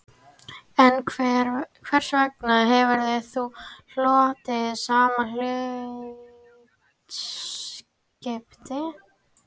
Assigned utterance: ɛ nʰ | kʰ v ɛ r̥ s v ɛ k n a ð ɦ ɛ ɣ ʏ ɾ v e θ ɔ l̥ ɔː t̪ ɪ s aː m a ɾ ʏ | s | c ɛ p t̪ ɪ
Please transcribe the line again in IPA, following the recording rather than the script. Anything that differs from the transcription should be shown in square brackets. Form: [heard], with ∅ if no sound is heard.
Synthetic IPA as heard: ɛ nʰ | kʰ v ɛ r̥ s v ɛ k n a ð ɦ ɛ [v] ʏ ɾ [ð] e θ [u] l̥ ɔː t̪ ɪ s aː m a [l] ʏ | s | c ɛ p t̪ ɪ